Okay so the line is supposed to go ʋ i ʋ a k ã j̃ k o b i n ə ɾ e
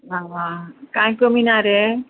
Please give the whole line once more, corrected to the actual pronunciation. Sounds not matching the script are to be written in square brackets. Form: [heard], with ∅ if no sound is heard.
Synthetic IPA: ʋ [a] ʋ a k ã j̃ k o [m] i n [a] ɾ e

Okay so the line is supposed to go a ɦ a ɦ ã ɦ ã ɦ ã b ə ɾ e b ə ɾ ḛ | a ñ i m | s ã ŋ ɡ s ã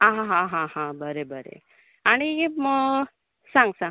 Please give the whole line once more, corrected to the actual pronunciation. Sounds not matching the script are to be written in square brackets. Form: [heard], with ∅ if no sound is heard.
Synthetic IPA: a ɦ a ɦ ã ɦ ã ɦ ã b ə ɾ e b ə ɾ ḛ | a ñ i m | s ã ŋ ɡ s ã

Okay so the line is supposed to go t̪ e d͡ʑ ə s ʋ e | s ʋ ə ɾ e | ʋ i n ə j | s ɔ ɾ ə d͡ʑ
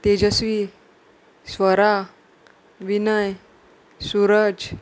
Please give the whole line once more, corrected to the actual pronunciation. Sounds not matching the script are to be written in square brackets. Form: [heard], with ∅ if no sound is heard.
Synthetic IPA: t̪ e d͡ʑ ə s ʋ [i] | s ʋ ə ɾ [a] | ʋ i n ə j | s [u] ɾ ə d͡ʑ

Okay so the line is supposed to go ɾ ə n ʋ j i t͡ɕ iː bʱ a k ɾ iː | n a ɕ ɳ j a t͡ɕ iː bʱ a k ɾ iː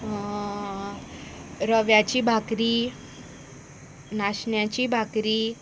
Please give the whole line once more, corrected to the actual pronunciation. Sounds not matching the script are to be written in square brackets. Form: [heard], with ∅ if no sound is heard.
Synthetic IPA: ɾ ə [∅] ʋ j [a] t͡ɕ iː bʱ a k ɾ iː | n a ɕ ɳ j a t͡ɕ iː bʱ a k ɾ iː

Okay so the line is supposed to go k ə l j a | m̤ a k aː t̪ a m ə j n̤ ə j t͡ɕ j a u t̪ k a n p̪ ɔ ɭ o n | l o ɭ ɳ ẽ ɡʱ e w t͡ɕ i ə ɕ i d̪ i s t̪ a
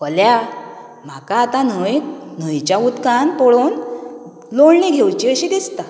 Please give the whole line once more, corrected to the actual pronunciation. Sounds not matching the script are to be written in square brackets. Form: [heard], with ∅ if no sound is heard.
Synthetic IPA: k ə l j a | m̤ a k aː t̪ a [n] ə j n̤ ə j t͡ɕ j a u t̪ k a n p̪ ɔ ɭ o n | l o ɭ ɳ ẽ ɡʱ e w t͡ɕ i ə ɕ i d̪ i s t̪ a

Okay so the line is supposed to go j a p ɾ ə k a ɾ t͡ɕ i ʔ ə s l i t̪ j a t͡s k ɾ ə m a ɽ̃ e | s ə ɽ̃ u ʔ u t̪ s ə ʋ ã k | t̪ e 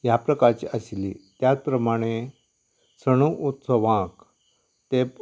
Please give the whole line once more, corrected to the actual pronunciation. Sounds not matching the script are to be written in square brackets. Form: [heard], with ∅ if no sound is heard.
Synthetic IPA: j a p ɾ ə k a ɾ t͡ɕ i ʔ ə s l i t̪ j a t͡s [p] ɾ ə m a ɽ̃ e | s ə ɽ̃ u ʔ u t̪ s ə ʋ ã k | t̪ e

